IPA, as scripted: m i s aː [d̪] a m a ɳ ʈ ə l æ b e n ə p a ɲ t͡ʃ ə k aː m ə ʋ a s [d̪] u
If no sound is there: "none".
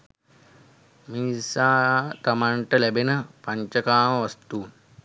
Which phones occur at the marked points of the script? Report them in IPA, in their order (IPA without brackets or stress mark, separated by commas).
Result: t̪, t̪